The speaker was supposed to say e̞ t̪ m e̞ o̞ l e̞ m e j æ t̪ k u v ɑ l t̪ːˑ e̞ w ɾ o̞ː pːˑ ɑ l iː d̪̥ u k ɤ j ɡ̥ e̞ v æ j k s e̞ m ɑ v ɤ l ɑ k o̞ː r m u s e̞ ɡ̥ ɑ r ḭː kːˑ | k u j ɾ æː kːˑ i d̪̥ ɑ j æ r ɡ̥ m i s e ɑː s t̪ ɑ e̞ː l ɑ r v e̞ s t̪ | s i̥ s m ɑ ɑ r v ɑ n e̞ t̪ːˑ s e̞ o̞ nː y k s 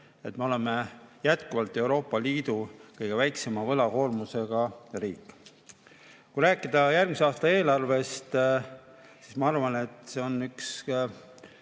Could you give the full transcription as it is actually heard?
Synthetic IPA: e̞ t̪ m e̞ o̞ l e̞ m e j æ t̪ k u v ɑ l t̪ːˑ e̞ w ɾ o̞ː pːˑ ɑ l iː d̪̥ u k ɤ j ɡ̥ e̞ v æ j k s e̞ m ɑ v ɤ l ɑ k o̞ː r m u s e̞ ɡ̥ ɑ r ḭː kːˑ | k u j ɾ æː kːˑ i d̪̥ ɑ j æ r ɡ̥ m i s e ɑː s t̪ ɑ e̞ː l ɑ r v e̞ s t̪ | s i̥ s m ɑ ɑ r v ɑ n e̞ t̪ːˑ s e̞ o̞ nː y k s